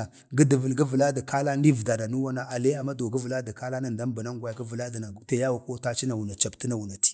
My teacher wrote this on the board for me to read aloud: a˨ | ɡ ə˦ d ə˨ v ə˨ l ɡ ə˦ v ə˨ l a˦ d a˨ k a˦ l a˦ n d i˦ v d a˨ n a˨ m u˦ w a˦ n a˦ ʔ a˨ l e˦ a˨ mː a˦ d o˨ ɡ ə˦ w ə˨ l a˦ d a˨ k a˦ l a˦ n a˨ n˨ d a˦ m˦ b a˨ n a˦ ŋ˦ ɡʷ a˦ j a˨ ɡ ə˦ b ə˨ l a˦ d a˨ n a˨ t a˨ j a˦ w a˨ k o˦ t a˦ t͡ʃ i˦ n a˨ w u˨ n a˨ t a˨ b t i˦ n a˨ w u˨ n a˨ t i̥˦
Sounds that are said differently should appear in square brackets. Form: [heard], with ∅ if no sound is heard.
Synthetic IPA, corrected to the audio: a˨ | ɡ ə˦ d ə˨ v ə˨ l ɡ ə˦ v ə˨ l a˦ d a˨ k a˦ l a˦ n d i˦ v d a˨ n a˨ [n] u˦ w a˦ n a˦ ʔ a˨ l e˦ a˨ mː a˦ d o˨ ɡ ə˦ [v] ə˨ l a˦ d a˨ k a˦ l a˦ n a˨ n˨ d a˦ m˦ b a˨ n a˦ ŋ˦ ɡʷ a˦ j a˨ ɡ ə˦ [v] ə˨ l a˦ d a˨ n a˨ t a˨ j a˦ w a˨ k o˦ t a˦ t͡ʃ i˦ n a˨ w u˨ n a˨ [t͡ʃ] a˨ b t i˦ n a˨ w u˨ n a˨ t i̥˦

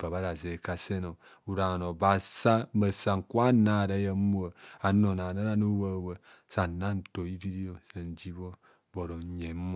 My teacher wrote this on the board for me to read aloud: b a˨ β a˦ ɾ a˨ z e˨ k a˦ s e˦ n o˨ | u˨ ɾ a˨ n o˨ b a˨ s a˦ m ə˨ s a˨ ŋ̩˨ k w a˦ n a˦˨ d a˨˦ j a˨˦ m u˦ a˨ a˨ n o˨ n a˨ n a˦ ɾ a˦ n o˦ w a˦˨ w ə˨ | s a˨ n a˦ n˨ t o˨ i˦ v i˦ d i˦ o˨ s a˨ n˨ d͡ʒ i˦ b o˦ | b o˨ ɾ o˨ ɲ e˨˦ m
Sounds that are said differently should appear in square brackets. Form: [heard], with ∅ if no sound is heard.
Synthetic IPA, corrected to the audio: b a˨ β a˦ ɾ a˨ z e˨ k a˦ s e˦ n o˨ | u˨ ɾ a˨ n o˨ b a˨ s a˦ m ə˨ s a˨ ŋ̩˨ k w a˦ n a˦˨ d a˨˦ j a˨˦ m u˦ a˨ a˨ n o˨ n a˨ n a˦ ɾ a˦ n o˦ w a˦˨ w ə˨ | s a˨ n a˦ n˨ t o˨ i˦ v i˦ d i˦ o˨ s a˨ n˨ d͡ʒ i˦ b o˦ | b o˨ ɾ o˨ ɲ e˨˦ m

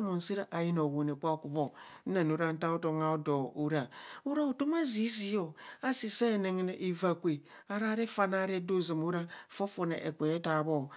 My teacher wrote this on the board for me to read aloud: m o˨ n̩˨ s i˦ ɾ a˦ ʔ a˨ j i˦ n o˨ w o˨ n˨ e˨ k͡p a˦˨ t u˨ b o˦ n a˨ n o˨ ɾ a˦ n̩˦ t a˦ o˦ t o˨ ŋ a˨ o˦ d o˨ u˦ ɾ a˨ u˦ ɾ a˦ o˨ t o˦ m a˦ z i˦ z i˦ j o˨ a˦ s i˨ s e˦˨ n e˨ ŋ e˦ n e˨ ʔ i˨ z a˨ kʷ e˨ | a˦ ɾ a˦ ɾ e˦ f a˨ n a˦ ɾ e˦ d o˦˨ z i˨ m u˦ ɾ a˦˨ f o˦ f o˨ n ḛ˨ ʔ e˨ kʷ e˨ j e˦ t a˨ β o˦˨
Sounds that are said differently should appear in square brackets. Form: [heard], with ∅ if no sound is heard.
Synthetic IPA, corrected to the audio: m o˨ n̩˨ s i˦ ɾ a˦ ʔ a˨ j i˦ n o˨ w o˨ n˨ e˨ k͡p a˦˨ [k] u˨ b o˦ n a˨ n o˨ ɾ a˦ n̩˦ t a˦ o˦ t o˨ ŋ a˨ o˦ d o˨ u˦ ɾ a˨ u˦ ɾ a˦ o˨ t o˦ m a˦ z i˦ z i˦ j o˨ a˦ s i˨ s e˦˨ n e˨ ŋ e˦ n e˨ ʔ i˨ [v] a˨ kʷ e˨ | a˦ ɾ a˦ ɾ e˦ f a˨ n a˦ ɾ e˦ d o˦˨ z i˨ m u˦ ɾ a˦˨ f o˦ f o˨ n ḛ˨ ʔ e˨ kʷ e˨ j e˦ t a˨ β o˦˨

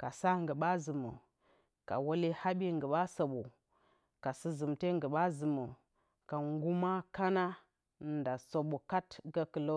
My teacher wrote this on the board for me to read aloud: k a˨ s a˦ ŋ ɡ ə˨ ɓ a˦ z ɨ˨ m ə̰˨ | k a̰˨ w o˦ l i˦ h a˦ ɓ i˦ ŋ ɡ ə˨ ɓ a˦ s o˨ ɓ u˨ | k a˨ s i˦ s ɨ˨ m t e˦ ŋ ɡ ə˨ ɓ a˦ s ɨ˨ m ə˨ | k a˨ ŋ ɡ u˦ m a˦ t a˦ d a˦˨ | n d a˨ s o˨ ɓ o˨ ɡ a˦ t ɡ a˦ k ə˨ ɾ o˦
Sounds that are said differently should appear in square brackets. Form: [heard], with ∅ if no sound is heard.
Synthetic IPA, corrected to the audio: k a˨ s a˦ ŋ ɡ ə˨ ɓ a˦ z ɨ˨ m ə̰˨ | k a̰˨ w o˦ l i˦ h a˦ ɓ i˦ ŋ ɡ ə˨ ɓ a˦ s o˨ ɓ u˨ | k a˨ s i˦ [z] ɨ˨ m t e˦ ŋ ɡ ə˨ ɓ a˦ [z] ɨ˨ m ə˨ | k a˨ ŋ ɡ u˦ m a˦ [k] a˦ [n] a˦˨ | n d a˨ s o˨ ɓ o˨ [k] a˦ t ɡ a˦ k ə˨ [l] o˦

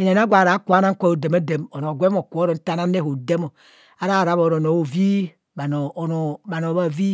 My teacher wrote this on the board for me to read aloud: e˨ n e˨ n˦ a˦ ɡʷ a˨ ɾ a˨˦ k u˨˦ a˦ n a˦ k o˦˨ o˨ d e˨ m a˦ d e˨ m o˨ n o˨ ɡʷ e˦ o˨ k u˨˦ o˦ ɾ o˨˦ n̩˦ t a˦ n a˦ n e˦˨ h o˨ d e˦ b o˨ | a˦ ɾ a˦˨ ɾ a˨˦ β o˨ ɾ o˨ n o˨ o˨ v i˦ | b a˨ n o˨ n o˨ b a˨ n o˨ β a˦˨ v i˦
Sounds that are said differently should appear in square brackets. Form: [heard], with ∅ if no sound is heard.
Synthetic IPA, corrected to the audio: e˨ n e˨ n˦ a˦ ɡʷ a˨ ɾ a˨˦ k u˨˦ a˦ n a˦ k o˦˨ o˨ d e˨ m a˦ d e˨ m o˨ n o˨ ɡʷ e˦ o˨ k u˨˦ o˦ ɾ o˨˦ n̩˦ t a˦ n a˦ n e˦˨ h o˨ d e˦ [m] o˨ | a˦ ɾ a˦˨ ɾ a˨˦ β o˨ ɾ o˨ n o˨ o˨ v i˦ | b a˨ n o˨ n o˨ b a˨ n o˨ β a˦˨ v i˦

